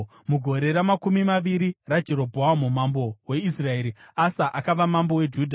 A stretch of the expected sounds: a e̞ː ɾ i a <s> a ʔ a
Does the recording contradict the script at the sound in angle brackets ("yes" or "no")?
no